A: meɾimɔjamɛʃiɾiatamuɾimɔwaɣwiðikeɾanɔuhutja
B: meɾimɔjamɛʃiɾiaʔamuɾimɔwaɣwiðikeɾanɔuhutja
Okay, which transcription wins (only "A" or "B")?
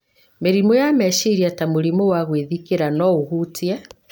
A